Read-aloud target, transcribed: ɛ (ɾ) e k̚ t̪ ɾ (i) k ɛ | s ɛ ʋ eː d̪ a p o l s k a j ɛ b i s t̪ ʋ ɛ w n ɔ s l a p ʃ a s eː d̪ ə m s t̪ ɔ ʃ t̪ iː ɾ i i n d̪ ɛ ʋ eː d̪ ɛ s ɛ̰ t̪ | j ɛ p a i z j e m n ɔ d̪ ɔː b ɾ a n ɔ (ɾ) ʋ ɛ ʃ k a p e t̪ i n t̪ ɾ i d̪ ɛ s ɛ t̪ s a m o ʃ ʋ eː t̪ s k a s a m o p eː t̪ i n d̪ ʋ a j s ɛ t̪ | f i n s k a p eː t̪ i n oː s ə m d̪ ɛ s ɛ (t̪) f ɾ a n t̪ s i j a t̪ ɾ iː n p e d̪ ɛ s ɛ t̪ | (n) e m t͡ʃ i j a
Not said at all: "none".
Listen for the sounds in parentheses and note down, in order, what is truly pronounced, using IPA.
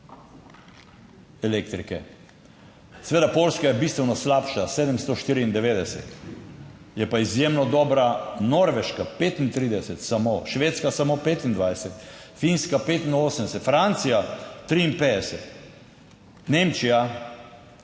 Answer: l, i, ɾ, t̪, n

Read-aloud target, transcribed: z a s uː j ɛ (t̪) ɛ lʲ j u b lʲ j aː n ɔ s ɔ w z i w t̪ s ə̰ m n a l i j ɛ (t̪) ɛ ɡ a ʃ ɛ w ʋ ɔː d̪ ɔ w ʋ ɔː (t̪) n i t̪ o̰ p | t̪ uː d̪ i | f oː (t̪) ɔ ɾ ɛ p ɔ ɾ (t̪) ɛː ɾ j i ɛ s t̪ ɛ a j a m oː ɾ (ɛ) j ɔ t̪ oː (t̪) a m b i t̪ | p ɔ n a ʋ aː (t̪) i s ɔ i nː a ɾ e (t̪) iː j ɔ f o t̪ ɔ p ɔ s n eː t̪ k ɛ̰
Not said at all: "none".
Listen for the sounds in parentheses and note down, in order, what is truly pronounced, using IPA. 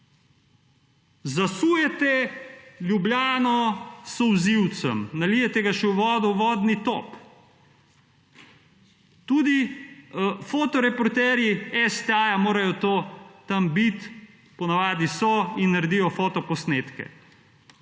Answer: t̪, t̪, d̪, t̪, t̪, a, t̪, d̪, d̪

